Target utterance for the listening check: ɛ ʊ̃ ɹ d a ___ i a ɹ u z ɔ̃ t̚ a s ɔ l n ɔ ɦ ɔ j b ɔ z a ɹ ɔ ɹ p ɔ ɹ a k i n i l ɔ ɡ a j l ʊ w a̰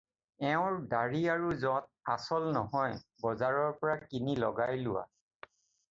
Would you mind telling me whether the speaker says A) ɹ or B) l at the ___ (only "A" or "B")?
A